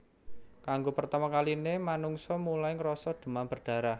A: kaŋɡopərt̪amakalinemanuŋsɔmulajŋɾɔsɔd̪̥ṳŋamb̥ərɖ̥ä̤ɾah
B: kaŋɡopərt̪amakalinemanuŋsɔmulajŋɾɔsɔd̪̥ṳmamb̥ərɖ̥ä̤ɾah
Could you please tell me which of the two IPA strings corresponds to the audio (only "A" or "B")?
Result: B